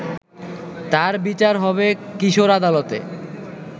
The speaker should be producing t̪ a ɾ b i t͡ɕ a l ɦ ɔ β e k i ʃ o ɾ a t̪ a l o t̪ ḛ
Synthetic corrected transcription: t̪ a ɾ b i t͡ɕ a ɾ ɦ ɔ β e k i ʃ o ɾ a d̪ a l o t̪ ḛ